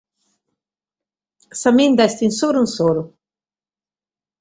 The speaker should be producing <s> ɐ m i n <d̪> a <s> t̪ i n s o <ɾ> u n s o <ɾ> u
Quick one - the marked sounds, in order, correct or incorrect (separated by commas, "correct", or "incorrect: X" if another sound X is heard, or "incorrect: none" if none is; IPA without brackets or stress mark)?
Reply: correct, correct, correct, correct, correct